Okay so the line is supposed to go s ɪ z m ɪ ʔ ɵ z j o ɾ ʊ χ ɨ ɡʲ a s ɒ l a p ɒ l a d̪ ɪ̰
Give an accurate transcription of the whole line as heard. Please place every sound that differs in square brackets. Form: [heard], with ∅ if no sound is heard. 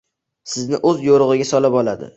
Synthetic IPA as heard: s ɪ z [n] ɪ ʔ ɵ z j o ɾ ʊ [ʁ] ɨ ɡʲ a s ɒ l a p ɒ l a d̪ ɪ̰